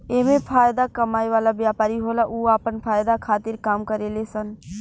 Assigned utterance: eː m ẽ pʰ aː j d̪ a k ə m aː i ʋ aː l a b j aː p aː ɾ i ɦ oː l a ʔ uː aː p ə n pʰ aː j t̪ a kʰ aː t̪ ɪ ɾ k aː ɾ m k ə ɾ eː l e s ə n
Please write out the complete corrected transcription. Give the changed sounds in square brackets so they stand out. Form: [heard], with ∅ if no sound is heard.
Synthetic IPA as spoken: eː m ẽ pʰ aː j d̪ a k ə m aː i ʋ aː l a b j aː p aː ɾ i ɦ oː l a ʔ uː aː p ə n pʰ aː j [d̪] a kʰ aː t̪ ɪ ɾ k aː [∅] m k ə ɾ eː l e s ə n